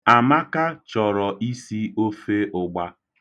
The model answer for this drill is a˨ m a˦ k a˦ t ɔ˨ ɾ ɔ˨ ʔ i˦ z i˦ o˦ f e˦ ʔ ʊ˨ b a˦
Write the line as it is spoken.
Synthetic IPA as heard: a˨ m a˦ k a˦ t͡ʃ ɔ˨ ɾ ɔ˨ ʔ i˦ s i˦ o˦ f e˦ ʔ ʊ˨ ɡ͡b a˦